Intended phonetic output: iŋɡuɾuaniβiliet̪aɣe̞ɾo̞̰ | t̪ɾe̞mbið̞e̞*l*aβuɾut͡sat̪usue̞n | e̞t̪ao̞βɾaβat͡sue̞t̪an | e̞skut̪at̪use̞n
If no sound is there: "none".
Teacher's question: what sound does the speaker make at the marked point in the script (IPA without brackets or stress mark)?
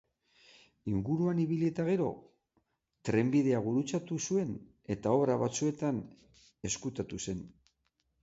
none